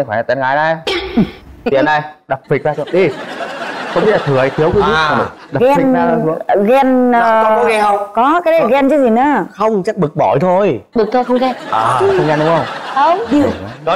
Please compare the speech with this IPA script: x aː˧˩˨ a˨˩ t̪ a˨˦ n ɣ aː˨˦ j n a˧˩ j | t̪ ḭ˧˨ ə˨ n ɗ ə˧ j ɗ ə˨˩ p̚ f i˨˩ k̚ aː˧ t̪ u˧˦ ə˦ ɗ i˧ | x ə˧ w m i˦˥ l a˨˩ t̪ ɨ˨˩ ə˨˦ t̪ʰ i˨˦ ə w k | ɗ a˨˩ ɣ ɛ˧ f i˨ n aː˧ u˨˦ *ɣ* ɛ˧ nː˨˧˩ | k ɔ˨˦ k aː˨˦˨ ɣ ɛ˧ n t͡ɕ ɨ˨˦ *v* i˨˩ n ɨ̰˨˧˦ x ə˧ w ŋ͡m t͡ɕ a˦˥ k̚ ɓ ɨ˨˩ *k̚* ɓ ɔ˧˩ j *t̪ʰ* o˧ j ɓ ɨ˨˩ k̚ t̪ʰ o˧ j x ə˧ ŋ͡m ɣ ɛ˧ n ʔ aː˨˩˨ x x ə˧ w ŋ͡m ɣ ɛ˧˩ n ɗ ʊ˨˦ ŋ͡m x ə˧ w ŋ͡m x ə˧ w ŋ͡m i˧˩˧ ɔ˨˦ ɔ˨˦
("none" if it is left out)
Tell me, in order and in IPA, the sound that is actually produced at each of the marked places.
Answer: ɣ, z, k̚, t̪ʰ

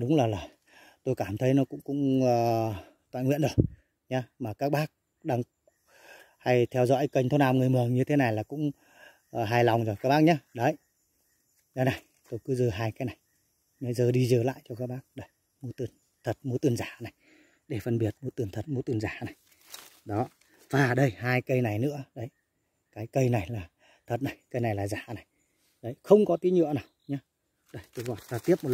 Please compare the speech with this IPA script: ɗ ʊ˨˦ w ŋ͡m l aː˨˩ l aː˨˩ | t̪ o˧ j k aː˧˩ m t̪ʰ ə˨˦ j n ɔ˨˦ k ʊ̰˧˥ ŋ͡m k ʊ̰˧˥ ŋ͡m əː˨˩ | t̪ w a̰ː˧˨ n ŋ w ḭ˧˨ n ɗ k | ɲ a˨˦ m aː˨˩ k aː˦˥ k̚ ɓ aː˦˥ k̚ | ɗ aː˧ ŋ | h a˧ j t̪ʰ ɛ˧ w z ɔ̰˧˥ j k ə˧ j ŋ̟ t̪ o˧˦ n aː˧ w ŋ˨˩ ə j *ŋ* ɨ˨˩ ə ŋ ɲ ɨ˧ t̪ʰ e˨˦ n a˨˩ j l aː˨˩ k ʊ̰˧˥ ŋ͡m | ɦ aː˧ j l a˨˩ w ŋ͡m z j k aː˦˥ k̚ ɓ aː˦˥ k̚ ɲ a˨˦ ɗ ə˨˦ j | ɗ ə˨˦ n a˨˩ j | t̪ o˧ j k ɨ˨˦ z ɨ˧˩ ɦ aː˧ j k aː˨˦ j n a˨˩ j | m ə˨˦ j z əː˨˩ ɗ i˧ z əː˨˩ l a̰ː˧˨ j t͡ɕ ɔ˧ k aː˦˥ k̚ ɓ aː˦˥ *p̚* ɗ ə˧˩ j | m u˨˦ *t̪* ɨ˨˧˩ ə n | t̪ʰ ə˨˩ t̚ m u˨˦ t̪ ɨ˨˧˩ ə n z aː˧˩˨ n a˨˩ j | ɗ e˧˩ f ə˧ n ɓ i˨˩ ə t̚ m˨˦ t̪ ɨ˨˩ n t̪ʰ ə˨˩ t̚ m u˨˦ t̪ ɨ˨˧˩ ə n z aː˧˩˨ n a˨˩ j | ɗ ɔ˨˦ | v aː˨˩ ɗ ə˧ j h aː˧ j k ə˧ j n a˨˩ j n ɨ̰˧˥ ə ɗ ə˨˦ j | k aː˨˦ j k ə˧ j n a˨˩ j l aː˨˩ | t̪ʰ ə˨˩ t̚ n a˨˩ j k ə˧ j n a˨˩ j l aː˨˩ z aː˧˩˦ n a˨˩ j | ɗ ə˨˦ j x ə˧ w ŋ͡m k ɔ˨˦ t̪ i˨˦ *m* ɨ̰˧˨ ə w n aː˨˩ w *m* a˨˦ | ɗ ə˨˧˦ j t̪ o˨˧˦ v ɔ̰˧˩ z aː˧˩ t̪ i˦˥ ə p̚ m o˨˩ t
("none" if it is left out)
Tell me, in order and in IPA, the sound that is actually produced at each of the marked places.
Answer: m, k̚, t̪, ɲ, ɲ

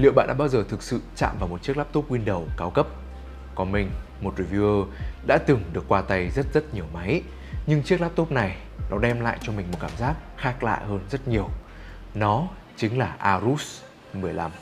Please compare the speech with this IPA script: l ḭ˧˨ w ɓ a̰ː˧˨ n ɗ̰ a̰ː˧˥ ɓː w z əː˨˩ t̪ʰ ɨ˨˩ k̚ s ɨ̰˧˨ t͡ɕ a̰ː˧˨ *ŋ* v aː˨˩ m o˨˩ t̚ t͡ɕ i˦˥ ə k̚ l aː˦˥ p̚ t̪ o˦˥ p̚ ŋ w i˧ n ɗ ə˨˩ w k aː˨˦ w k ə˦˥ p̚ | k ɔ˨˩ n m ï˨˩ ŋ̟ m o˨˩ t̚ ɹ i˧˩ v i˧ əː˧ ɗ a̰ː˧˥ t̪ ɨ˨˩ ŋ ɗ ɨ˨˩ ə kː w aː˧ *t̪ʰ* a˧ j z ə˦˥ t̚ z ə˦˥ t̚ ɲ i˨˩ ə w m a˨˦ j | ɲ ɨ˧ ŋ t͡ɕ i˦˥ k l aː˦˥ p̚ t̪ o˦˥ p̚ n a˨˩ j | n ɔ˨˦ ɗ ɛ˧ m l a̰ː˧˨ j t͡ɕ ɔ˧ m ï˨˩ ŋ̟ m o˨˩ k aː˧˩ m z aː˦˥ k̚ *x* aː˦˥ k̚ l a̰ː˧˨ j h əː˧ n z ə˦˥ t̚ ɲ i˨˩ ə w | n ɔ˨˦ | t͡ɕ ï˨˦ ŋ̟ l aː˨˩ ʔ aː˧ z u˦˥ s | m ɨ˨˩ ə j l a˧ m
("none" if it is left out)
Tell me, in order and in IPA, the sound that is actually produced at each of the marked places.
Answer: m, t̪, x

